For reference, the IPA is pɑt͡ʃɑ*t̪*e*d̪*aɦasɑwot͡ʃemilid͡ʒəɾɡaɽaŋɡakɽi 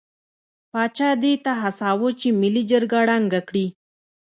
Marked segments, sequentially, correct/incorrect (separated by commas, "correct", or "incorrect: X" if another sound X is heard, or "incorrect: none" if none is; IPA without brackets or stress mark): incorrect: d̪, incorrect: t̪